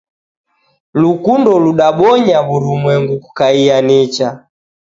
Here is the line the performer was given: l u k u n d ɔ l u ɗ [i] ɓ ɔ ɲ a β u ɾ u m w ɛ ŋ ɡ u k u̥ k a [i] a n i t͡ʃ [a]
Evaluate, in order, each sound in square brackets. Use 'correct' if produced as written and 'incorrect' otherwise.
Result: incorrect: a, correct, correct

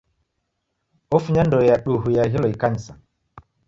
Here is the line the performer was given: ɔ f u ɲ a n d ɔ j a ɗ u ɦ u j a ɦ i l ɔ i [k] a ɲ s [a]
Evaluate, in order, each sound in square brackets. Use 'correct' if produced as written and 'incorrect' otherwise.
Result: correct, correct

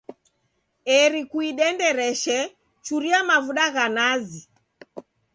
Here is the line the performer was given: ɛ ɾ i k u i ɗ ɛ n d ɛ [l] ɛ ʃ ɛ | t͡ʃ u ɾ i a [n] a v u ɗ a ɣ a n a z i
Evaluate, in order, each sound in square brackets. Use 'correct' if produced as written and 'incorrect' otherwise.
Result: incorrect: ɾ, incorrect: m

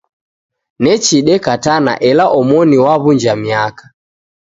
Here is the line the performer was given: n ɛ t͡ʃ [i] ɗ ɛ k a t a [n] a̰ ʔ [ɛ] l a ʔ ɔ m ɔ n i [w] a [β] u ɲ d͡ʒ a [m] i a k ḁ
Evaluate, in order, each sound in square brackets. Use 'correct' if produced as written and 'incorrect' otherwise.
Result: correct, correct, correct, correct, correct, correct

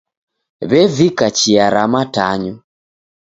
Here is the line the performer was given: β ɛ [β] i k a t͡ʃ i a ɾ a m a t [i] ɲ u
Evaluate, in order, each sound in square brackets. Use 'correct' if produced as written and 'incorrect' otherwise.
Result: incorrect: v, incorrect: a

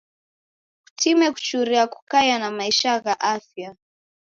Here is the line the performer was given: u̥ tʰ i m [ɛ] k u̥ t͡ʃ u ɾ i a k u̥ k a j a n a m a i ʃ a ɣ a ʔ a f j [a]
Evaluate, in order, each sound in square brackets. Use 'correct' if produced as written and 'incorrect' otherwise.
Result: correct, correct

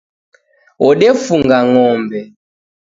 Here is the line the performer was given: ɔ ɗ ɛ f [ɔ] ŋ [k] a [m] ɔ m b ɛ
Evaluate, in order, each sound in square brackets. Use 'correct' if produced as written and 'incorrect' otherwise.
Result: incorrect: u, incorrect: ɡ, incorrect: ŋ

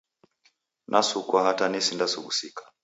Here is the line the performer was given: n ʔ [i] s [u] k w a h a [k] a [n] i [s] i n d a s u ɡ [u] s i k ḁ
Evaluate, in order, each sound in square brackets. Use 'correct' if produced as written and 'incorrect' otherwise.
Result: incorrect: a, correct, incorrect: t, correct, correct, correct

